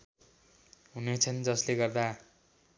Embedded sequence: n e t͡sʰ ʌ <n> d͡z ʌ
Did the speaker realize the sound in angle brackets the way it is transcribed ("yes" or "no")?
yes